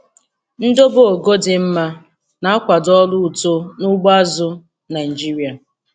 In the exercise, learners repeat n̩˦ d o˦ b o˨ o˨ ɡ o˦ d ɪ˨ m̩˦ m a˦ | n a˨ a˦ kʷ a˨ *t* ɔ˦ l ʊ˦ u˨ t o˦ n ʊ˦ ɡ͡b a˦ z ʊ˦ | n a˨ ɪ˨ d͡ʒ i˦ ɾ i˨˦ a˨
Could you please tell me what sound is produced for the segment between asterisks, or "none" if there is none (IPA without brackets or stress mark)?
d